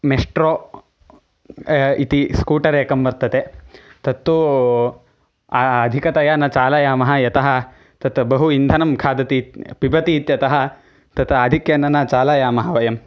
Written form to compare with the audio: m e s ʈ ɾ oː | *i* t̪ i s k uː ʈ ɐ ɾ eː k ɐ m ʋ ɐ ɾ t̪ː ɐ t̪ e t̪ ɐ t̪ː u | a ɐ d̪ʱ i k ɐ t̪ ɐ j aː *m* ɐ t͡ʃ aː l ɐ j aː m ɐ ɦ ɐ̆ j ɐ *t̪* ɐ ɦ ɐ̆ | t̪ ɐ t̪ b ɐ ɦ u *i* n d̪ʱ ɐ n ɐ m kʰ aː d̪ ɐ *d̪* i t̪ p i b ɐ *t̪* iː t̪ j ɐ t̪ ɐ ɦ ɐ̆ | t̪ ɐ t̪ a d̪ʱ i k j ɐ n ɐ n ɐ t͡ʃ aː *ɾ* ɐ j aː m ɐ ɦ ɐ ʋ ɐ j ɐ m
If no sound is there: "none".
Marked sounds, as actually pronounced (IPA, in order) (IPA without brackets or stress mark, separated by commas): i, n, t̪, i, t̪, t̪, l